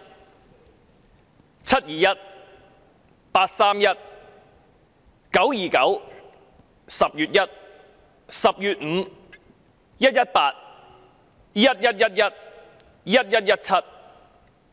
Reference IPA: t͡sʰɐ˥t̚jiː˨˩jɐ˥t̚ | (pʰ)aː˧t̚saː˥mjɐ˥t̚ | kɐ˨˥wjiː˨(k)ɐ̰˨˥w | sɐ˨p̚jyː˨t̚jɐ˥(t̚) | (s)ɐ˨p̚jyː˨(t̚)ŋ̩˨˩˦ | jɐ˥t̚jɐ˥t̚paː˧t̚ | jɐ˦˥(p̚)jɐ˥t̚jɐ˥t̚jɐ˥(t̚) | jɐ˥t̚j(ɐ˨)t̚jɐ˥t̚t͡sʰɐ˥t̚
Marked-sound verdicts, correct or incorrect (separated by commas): incorrect, correct, correct, correct, correct, incorrect, correct, incorrect